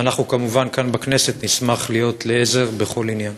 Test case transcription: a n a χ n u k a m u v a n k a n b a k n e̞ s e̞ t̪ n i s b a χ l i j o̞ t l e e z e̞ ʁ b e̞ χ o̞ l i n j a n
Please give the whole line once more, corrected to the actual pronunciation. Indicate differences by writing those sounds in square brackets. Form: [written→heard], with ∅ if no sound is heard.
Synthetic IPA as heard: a n a χ n u k a m u v a n k a n b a k n e̞ s e̞ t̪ n i s [b→m] a χ l i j o̞ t l e e z e̞ ʁ b e̞ χ o̞ l i n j a n